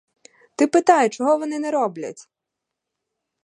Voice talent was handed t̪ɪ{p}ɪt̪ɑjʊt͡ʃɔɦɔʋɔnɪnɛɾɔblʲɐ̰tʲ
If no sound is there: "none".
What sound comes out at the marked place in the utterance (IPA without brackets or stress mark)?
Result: p